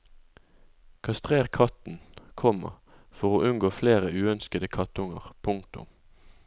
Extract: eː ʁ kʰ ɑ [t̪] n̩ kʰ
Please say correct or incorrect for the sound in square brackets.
correct